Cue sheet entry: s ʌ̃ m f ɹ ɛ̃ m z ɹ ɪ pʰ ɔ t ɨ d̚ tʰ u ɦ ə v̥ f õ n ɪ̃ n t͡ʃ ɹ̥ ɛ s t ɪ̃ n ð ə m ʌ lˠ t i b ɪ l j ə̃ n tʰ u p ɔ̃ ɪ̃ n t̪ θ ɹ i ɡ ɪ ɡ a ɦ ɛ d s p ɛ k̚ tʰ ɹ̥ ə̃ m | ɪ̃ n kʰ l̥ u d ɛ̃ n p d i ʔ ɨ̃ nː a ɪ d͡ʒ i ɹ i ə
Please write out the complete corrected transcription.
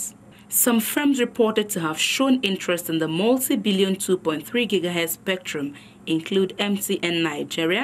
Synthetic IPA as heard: s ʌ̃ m f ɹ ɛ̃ m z ɹ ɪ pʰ ɔ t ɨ d̚ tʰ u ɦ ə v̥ ʃ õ n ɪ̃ n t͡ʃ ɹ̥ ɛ s t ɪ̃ n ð ə m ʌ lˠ t i b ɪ l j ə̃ n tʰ u p ɔ̃ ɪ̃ n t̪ θ ɹ i ɡ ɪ ɡ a ɦ ɛ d s p ɛ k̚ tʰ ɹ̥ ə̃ m | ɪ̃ n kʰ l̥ u d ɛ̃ m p t i ʔ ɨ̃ nː a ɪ d͡ʒ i ɹ i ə